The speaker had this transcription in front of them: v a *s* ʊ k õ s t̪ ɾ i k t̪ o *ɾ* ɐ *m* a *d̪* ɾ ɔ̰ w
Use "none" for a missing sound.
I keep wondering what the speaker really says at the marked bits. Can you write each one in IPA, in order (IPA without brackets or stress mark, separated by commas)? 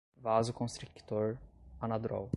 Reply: z, ɾ, n, d̪